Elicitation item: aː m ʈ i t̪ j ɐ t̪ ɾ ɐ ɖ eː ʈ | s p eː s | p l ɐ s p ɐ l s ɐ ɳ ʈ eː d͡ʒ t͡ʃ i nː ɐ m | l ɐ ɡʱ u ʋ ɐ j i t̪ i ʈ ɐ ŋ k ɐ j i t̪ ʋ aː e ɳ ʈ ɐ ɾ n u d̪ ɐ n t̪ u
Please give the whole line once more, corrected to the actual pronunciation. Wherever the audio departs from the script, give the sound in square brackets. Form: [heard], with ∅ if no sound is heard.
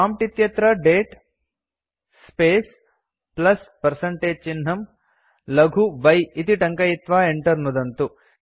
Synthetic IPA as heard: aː m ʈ i t̪ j ɐ t̪ ɾ ɐ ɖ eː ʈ | s p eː s | p l ɐ s p ɐ [ɾ] s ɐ ɳ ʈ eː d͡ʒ t͡ʃ i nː ɐ m | l ɐ ɡʱ u ʋ ɐ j i t̪ i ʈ ɐ ŋ k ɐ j i t̪ ʋ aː e ɳ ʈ ɐ ɾ n u d̪ ɐ n t̪ u